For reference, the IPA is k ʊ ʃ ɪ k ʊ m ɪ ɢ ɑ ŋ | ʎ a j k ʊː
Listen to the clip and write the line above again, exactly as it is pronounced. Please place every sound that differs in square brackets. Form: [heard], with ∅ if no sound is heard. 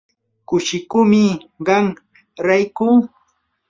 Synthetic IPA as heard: k ʊ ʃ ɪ k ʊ m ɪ ɢ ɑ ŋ | [ɾ] a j k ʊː